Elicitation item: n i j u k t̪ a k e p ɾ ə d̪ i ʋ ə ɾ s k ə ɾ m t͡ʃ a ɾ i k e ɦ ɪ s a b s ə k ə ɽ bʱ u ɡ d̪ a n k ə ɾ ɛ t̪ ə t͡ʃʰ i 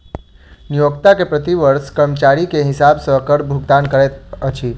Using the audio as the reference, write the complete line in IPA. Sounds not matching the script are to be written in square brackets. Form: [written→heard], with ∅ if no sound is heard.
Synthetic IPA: n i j [u→o] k t̪ a k e p ɾ ə [d̪→t̪] i ʋ ə ɾ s k ə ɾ m t͡ʃ a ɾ i k e ɦ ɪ s a b s ə k ə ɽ bʱ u ɡ d̪ a n k ə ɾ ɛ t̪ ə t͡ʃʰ i